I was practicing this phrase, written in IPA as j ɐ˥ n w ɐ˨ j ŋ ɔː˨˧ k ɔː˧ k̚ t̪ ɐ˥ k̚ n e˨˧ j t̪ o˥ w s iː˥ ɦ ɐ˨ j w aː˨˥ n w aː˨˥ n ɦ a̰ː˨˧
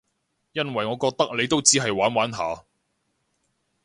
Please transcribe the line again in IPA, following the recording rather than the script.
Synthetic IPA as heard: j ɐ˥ n w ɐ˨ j ŋ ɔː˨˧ k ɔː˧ k̚ t̪ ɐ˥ k̚ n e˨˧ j t̪ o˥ w t͡s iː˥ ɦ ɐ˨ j w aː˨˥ n w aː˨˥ n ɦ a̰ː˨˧